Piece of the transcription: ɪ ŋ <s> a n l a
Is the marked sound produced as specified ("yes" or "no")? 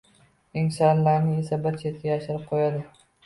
yes